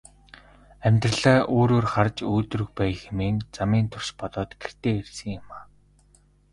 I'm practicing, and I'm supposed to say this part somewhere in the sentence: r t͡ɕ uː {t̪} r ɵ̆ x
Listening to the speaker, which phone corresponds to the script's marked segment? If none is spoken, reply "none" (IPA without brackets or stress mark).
t̪